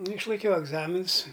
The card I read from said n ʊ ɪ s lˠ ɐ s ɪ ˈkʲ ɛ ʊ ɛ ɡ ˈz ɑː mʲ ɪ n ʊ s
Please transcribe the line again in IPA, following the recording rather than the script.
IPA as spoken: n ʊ ɪ ʃ lˠ ɐ ɪ ˈkʲ ɛ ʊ ɛ ɡ ˈz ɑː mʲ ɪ n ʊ s